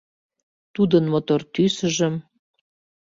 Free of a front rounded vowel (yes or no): no